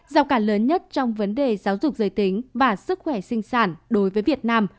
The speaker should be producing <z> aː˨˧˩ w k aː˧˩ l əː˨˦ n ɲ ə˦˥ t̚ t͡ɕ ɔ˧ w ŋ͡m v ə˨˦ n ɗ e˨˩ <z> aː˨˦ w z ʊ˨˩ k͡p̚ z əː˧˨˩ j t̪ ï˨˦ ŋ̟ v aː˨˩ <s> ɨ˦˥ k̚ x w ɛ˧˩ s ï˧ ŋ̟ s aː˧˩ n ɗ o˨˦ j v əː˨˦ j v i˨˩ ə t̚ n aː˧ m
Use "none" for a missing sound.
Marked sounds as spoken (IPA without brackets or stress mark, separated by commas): z, z, s